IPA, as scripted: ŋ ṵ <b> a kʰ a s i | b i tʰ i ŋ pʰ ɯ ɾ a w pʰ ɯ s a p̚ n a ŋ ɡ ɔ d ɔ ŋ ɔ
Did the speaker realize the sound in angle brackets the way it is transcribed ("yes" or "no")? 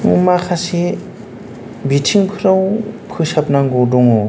no